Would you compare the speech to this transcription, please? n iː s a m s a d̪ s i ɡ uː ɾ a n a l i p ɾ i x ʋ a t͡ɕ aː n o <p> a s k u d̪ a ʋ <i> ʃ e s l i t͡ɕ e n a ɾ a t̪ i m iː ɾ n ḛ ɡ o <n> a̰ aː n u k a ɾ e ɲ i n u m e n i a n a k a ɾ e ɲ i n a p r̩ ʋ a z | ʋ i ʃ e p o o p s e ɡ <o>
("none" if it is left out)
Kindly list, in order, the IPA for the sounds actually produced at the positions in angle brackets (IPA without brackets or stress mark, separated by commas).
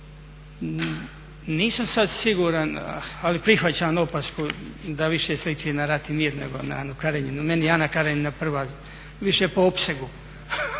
p, i, n, u